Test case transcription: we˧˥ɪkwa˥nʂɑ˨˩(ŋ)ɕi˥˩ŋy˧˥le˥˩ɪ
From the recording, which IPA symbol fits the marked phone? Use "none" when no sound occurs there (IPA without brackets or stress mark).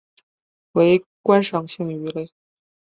ŋ